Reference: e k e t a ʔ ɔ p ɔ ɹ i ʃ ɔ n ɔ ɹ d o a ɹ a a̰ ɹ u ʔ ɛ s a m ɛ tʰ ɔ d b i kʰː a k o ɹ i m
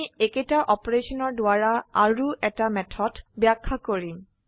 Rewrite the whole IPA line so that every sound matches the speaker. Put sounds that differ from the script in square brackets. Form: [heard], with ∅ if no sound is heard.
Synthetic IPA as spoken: e k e t a ʔ ɔ p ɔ ɹ [e] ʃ ɔ n ɔ ɹ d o a ɹ a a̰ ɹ u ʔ ɛ [t] a m ɛ tʰ ɔ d b [a] kʰː a k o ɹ i m

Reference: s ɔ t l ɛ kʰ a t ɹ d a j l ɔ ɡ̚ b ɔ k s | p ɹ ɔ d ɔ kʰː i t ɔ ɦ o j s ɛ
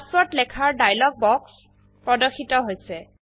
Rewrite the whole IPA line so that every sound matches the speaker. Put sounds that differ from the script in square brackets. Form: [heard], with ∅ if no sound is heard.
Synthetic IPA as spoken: s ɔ t l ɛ kʰ a [∅] ɹ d a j l ɔ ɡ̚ b ɔ k s | p ɹ ɔ d ɔ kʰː i t ɔ ɦ o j s ɛ

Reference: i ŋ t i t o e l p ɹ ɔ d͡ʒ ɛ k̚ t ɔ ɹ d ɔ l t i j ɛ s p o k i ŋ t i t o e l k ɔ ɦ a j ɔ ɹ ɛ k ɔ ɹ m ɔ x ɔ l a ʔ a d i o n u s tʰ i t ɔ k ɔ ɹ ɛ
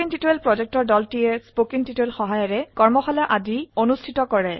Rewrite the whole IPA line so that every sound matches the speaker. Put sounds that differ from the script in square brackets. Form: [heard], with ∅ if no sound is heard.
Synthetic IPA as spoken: i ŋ t i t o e l p ɹ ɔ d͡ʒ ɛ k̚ t ɔ ɹ d ɔ l t i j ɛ s p o k i ŋ t i t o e l [x] ɔ ɦ a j ɔ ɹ ɛ k ɔ ɹ m ɔ x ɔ l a ʔ a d i o n u s tʰ i t ɔ k ɔ ɹ ɛ

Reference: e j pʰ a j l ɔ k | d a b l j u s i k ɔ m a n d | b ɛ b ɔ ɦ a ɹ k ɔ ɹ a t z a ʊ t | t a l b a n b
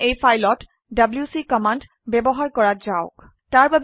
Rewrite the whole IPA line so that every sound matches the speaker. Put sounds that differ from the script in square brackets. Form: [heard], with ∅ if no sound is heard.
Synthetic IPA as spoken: e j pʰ a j l ɔ [t] | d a b l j u s i k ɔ m a n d | b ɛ b ɔ ɦ a ɹ k ɔ ɹ a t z a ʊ [k] | t a [ɹ] b a [∅] b

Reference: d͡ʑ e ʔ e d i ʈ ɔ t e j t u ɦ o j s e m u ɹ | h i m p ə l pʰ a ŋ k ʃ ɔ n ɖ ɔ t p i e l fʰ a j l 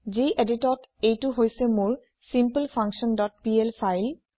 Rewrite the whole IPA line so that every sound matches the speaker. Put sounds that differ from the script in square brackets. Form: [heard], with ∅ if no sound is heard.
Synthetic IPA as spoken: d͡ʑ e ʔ e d i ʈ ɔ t e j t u ɦ o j s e m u ɹ | [s] i m p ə l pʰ a ŋ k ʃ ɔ n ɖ ɔ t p i e l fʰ a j l

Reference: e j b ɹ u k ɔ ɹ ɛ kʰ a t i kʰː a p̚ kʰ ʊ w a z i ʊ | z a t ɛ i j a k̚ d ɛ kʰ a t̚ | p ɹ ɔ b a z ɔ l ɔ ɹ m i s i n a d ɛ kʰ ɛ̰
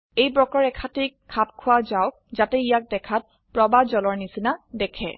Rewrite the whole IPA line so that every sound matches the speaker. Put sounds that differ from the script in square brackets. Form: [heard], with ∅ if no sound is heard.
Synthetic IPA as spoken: e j b ɹ [ɔ] k ɔ ɹ ɛ kʰ a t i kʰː a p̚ kʰ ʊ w a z [a] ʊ | z a t ɛ i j a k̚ d ɛ kʰ a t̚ | p ɹ ɔ b a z ɔ l ɔ ɹ [n] i s i n a d ɛ kʰ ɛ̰

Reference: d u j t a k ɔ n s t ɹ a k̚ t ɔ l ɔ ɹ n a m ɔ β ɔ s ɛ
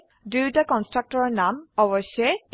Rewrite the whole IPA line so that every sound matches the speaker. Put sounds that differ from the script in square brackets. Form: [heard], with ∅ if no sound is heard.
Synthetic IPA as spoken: d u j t a k ɔ n s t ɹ a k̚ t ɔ [ɹ] ɔ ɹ n a m ɔ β ɔ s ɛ

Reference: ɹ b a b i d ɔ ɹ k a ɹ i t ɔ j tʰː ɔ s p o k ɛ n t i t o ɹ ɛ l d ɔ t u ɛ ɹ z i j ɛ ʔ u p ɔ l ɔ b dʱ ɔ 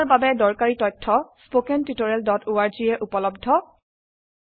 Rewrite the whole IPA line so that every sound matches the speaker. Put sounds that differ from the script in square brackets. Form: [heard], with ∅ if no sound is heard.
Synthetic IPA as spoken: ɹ b a b [ɛ] d ɔ ɹ k a ɹ i t ɔ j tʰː ɔ s p o k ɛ n t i t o ɹ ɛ l d ɔ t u [a] ɹ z i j ɛ ʔ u p ɔ l ɔ b dʱ ɔ

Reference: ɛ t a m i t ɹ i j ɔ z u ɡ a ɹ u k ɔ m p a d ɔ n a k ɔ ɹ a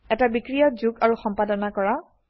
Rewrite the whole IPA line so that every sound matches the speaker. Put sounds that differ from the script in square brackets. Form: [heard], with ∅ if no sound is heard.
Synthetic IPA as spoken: ɛ t a [b] i [k] ɹ i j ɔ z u ɡ a ɹ u [x] ɔ m p a d ɔ n a k ɔ ɹ a

